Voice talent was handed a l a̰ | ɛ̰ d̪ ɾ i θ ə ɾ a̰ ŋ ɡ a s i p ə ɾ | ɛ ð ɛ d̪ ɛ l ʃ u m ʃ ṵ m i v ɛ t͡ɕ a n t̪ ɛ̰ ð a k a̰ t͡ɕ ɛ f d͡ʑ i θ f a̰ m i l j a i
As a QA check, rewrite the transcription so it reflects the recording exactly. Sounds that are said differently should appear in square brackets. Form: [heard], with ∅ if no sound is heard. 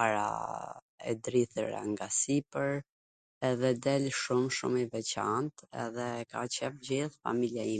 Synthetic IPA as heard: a [ɾ] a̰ | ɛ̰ d̪ ɾ i θ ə ɾ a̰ ŋ ɡ a s i p ə ɾ | ɛ ð ɛ d̪ ɛ l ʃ u m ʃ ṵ m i v ɛ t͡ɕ a n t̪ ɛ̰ ð [ɛ] k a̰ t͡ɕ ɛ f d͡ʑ i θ f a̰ m i l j a i